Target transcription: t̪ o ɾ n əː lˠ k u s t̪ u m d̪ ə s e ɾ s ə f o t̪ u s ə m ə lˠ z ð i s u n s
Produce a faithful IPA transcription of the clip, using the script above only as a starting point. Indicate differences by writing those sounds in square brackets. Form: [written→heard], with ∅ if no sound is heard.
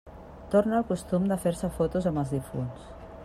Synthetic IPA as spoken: t̪ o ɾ n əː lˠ k u s t̪ u m d̪ ə [s→f] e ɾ s ə f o t̪ u [s→z] ə m ə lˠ z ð i [s→f] u n s